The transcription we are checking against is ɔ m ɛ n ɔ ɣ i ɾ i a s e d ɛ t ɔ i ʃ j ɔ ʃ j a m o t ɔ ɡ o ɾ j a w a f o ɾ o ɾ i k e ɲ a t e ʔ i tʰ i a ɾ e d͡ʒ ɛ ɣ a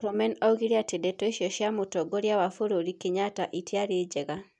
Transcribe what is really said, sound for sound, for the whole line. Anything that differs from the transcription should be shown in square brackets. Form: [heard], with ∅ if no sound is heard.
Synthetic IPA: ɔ m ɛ n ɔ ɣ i ɾ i a [t] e d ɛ t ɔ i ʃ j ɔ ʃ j a m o t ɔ ɡ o ɾ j a w a f o ɾ o ɾ i k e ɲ a t [a] ʔ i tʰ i a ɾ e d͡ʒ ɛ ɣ a